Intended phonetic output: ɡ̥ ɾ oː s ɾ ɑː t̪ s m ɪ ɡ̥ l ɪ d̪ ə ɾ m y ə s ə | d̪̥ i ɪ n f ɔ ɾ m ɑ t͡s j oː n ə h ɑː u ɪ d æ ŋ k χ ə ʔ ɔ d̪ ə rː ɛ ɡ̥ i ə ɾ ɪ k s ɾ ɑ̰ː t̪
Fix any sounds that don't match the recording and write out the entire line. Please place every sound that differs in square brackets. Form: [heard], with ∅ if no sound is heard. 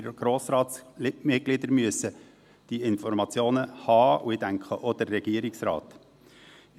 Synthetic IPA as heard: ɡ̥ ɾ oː s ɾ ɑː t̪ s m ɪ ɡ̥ l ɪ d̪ ə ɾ m y ə s ə | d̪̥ i ɪ n f ɔ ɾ m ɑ t͡s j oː n ə h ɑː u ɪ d æ ŋ k χ ə ʔ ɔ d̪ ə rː ɛ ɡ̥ i ə ɾ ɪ k s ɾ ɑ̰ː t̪